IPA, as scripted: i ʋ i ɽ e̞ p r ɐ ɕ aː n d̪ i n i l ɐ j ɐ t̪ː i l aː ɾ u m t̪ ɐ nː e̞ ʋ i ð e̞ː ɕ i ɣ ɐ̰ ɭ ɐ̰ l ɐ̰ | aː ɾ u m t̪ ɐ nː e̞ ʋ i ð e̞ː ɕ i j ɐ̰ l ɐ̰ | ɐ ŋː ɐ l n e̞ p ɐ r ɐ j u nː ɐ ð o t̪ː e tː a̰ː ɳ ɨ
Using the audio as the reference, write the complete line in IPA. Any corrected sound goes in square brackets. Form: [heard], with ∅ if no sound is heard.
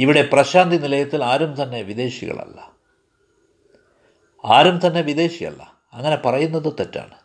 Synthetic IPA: i ʋ i ɽ e̞ p r ɐ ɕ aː n d̪ i n i l ɐ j ɐ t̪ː i l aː ɾ u m t̪ ɐ nː e̞ ʋ i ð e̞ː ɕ i ɣ ɐ̰ ɭ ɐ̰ [lː] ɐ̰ | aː ɾ u m t̪ ɐ nː e̞ ʋ i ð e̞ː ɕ i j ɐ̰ [lː] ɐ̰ | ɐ ŋː ɐ [∅] n e̞ p ɐ r ɐ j u nː ɐ ð o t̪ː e tː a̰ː ɳ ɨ